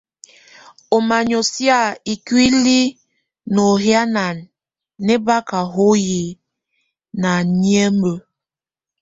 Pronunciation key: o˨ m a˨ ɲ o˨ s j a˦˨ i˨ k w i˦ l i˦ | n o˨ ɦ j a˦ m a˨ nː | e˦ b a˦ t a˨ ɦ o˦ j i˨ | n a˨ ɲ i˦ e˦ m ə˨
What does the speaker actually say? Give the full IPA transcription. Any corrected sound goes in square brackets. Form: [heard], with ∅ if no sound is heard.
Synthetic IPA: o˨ m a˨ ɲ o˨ s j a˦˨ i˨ k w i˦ l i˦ | n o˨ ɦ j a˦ [n] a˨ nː | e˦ b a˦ [k] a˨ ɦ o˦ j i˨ | n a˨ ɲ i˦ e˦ m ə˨